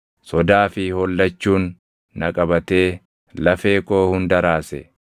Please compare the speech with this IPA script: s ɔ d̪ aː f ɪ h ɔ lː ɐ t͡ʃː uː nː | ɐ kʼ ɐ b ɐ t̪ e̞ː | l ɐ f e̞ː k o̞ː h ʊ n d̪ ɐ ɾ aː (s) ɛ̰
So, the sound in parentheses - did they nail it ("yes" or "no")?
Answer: yes